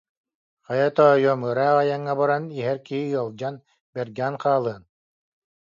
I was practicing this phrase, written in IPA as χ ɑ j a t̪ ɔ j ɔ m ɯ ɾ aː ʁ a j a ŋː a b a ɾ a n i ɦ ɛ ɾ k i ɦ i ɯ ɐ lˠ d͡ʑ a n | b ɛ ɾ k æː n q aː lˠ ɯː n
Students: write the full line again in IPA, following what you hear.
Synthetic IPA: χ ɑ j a t̪ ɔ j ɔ m ɯ ɾ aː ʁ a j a ŋː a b a ɾ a n i ɦ ɛ ɾ k i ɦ i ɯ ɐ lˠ d͡ʑ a n | b ɛ ɾ ɡ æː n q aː lˠ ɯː n

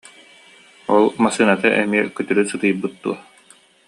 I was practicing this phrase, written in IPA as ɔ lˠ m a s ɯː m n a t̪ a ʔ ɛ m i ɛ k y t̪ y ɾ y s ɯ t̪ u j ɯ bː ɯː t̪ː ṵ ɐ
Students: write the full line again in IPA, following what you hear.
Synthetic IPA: ɔ lˠ m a s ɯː n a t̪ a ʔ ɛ m i ɛ k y t̪ y ɾ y s ɯ t̪ ɯ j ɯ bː ɯ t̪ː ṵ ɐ

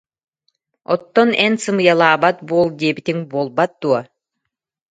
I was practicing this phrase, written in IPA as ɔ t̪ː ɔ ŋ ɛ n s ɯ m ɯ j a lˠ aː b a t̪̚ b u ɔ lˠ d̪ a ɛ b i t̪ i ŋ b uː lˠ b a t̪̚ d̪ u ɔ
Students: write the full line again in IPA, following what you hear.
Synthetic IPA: ɔ t̪ː ɔ n ɛ n s ɯ m ɯ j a lˠ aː b a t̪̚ b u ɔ lˠ d̪ i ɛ b i t̪ i ŋ b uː lˠ b a t̪̚ d̪ u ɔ

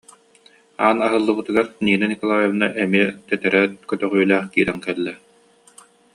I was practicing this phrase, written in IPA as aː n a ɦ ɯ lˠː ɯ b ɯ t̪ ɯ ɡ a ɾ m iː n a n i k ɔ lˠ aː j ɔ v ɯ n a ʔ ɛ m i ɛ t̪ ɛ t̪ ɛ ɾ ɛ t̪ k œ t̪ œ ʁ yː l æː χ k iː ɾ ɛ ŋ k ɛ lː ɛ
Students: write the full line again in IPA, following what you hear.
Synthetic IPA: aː n a ɦ ɯ lˠː ɯ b ɯ t̪ ɯ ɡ a ɾ n iː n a n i k ɔ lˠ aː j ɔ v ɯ n a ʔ ɛ m i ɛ t̪ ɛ t̪ ɛ ɾ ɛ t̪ k œ t̪ œ ʁ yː l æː χ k iː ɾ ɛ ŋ k ɛ lː ɛ

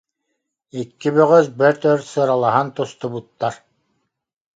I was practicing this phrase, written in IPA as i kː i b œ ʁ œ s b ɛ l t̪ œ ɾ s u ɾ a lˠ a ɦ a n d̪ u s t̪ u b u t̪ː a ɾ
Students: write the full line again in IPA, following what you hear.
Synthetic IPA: i kː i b œ ʁ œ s b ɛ ɾ t̪ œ ɾ s ɯ ɾ a lˠ a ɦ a n t̪ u s t̪ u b u t̪ː a ɾ

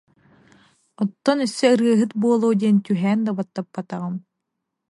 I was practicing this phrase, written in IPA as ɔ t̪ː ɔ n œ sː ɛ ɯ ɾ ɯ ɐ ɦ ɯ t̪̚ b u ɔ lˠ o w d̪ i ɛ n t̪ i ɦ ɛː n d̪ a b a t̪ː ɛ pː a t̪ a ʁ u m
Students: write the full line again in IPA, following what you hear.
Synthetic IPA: ɔ t̪ː ɔ n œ sː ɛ ɯ ɾ ɯ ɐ ɦ ɯ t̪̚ b u ɔ lˠ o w d̪ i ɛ n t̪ y ɦ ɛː n d̪ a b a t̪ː a pː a t̪ a ʁ ɯ m

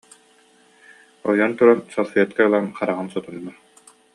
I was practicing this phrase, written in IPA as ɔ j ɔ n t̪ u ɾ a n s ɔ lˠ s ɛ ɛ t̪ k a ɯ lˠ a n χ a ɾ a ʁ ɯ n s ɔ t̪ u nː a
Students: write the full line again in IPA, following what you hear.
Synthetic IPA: ɔ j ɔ n t̪ u ɾ a n s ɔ lˠ f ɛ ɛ t̪ k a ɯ lˠ a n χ a ɾ a ʁ ɯ n s ɔ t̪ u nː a

